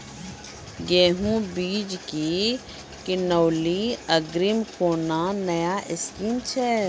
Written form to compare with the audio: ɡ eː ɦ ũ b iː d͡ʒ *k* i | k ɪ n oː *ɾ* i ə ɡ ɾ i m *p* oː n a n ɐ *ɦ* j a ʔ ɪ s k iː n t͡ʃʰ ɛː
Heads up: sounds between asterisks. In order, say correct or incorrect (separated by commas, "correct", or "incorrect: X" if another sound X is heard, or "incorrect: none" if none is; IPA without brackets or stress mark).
correct, incorrect: l, incorrect: k, incorrect: none